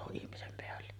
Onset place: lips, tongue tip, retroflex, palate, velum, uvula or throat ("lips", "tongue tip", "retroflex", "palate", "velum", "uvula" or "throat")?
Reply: throat